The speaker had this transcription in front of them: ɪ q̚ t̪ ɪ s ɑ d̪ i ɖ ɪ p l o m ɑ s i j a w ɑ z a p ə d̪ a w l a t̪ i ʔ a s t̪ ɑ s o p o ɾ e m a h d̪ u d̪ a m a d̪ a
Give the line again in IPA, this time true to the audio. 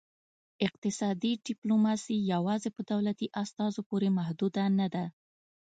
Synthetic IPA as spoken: ɪ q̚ t̪ ɪ s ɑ d̪ i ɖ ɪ p l o m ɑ s i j a w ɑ z e p ə d̪ a w l a t̪ i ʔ a s t̪ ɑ z o p o ɾ e m a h d̪ u d̪ a n a d̪ a